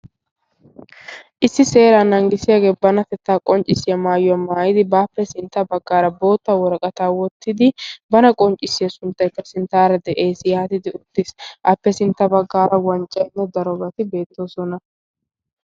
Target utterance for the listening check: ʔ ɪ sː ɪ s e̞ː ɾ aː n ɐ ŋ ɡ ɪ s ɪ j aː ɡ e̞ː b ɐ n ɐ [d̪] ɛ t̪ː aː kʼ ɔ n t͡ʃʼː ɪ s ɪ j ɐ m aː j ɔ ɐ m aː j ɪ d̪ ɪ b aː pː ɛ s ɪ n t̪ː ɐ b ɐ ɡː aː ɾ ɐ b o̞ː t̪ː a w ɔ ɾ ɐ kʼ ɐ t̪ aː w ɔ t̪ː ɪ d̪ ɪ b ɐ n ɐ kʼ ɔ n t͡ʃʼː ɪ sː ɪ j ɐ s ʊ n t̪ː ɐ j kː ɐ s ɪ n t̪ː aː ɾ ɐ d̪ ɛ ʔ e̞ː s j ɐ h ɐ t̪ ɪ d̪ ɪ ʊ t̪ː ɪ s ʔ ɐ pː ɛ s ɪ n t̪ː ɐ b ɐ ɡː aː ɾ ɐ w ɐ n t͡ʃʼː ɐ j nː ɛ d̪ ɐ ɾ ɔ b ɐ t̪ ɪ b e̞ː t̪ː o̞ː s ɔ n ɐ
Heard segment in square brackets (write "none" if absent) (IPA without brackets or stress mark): t̪